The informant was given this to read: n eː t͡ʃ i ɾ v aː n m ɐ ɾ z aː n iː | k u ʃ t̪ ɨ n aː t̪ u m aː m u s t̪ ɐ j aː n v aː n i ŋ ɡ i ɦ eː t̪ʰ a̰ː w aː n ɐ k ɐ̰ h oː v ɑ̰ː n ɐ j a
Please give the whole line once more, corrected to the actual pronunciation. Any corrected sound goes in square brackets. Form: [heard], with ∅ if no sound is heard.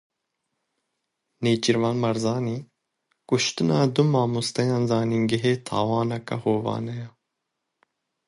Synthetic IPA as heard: n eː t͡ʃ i ɾ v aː n m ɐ ɾ z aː n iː | k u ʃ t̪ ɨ n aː [d̪] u m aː m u s t̪ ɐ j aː n [z] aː n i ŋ ɡ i ɦ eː t̪ʰ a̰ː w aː n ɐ k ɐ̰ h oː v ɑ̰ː n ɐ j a